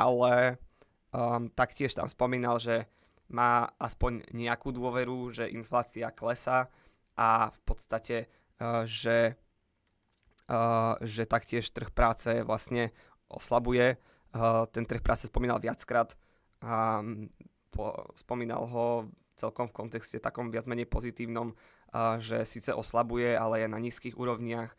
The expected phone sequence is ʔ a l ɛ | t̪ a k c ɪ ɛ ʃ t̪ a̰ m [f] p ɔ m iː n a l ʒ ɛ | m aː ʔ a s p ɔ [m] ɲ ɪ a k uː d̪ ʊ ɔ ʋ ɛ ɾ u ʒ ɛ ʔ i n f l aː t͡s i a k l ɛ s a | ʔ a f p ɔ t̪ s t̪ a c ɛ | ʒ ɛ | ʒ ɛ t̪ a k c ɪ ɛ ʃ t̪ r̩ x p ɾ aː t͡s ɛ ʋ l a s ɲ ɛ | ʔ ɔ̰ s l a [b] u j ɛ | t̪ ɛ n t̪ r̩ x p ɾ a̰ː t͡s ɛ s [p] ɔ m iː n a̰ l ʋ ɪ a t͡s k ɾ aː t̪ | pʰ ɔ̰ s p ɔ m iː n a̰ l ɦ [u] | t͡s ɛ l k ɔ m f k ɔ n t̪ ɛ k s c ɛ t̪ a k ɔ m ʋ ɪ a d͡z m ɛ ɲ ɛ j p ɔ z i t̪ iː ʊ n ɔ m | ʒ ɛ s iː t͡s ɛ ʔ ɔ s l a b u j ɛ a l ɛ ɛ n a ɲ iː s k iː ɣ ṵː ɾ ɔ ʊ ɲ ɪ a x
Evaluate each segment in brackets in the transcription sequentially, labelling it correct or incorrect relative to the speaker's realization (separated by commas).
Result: incorrect, incorrect, correct, correct, incorrect